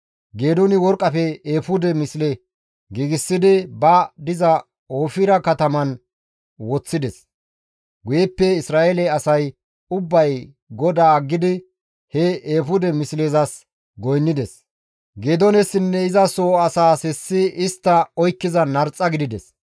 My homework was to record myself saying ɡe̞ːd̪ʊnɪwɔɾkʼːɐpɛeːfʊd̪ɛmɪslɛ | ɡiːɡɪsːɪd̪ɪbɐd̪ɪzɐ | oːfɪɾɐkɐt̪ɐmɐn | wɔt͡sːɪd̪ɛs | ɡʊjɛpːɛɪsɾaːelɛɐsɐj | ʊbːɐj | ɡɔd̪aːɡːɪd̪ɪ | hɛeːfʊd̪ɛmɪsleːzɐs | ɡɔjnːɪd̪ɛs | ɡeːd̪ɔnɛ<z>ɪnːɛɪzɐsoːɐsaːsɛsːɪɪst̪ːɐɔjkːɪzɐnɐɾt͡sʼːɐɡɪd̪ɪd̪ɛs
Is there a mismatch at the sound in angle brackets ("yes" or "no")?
yes